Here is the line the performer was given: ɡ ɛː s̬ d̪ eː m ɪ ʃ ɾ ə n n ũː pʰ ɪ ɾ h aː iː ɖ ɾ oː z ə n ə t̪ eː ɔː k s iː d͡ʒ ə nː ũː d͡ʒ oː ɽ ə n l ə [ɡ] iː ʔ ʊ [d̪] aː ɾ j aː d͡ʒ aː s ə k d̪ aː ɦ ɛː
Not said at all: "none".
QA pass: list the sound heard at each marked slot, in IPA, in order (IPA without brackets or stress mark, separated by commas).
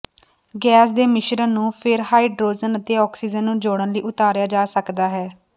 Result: none, t̪